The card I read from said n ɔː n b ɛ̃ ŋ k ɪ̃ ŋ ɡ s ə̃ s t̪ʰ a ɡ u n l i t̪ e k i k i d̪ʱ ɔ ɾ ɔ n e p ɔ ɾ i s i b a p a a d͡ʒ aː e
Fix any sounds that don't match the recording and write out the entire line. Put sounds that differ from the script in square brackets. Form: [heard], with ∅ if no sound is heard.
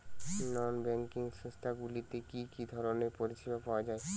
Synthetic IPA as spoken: n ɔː n b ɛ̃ ŋ k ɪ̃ ŋ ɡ s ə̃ s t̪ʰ a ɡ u [∅] l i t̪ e k i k i d̪ʱ ɔ ɾ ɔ n e p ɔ ɾ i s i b a p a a d͡ʒ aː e